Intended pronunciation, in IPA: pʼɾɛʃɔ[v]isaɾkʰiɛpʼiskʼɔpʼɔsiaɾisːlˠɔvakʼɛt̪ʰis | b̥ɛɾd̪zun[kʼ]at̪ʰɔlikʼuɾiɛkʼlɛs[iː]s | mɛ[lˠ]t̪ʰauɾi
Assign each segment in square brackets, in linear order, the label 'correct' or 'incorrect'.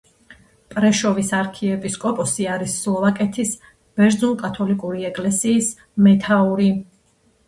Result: correct, correct, correct, incorrect

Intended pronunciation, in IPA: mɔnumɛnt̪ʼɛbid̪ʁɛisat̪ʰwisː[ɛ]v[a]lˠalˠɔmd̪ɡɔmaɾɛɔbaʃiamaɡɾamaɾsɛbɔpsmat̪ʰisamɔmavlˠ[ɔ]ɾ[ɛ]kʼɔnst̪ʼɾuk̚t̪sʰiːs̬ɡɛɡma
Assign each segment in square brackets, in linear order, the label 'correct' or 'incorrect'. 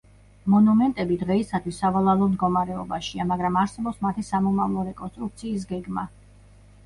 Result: incorrect, correct, correct, correct

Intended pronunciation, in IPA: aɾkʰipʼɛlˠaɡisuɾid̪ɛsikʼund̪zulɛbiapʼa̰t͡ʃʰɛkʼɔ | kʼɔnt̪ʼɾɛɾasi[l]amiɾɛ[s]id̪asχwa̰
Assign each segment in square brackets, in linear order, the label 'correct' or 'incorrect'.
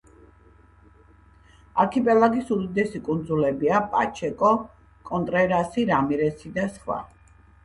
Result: incorrect, correct

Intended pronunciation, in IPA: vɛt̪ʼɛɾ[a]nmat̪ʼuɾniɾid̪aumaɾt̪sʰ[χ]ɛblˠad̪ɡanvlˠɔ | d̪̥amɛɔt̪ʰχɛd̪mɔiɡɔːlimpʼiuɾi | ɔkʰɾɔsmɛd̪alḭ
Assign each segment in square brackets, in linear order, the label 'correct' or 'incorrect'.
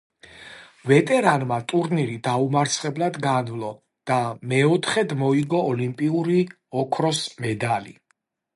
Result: correct, correct

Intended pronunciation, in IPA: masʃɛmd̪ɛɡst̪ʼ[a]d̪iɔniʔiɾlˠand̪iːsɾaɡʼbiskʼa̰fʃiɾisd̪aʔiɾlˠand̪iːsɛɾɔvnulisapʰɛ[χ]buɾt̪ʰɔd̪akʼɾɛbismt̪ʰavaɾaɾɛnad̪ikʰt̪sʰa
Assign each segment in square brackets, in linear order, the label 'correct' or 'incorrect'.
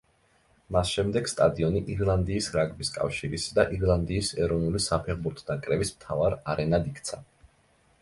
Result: correct, incorrect

